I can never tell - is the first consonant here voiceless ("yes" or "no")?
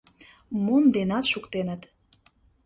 no